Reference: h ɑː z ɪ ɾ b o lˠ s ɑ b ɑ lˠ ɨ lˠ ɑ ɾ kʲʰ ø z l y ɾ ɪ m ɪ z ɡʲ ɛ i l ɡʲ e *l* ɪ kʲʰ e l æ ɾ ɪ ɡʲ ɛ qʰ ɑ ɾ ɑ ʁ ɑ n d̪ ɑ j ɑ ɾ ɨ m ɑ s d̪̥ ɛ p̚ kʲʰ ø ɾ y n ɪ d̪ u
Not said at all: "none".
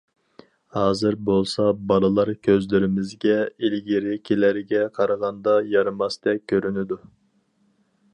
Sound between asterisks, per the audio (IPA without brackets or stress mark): ɾ